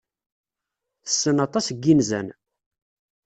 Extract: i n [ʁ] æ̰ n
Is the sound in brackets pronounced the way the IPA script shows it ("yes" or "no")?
no